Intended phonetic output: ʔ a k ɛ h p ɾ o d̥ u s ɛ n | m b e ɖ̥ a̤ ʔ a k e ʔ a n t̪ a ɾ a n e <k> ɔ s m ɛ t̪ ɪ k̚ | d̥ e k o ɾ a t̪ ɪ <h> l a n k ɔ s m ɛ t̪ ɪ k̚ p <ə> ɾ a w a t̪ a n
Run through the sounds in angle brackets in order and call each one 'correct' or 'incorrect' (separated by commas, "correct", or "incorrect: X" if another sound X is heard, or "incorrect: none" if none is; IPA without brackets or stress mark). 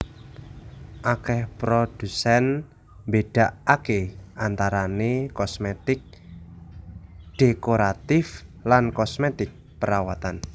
correct, incorrect: f, correct